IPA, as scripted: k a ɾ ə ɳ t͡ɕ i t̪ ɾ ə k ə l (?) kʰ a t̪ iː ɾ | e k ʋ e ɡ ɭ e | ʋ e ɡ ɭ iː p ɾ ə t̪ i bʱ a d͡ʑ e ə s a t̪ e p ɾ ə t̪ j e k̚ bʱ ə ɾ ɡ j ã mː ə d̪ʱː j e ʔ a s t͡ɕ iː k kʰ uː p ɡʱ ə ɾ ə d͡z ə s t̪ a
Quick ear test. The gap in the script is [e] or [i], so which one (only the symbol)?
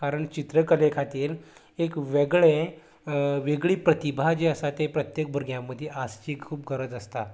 e